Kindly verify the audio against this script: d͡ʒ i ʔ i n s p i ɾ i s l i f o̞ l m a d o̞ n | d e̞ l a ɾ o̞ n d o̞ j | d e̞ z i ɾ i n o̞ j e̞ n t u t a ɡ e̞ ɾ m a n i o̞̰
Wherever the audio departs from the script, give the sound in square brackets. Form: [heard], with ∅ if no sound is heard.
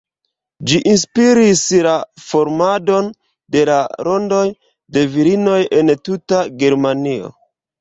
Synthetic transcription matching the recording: d͡ʒ i ʔ i n s p i ɾ i s l [a] f o̞ [ɾ] m a d o̞ n | d e̞ l a ɾ o̞ n d o̞ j | d e̞ [v] i ɾ i n o̞ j e̞ n t u t a ɡ e̞ ɾ m a n i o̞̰